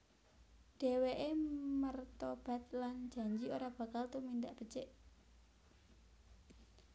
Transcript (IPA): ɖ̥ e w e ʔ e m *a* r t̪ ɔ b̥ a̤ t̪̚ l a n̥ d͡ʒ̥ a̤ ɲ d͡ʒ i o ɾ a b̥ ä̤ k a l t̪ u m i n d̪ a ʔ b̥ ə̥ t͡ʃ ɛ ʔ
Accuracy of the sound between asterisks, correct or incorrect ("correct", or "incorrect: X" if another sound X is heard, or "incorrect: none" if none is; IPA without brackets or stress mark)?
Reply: incorrect: ə